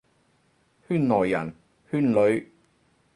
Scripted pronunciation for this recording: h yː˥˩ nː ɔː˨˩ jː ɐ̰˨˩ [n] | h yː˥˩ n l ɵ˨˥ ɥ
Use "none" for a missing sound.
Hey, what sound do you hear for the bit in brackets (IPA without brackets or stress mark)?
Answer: n